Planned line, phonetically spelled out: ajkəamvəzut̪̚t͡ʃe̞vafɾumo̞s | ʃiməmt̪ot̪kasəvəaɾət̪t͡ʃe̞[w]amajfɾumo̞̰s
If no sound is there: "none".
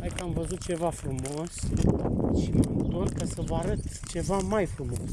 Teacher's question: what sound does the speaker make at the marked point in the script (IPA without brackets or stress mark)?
v